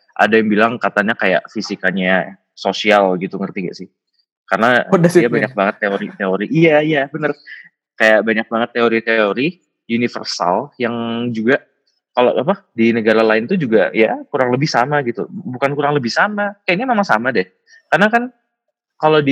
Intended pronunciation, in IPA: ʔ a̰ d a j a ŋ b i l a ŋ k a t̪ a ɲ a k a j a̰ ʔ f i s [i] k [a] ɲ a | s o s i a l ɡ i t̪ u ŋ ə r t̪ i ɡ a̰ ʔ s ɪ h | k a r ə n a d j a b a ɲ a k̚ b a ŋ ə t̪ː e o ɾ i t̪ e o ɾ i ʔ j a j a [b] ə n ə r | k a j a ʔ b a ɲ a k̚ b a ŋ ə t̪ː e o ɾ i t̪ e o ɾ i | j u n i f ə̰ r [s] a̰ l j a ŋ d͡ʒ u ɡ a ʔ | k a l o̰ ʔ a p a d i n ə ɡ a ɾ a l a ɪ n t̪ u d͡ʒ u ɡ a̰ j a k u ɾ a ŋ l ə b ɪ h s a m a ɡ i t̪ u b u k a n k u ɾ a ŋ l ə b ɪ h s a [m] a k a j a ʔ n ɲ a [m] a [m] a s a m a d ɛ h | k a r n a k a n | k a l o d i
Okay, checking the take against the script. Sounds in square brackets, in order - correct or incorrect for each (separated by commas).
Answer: correct, correct, correct, correct, correct, correct, correct